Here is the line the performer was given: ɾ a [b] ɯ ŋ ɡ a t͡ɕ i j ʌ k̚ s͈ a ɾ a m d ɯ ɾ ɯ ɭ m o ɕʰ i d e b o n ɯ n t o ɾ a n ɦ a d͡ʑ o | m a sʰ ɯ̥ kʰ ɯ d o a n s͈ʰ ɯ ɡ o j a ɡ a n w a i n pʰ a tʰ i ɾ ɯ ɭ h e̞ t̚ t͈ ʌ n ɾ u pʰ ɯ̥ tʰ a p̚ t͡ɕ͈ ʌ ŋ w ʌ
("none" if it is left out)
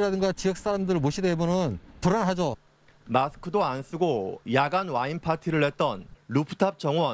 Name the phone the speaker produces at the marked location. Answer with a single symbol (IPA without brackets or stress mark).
d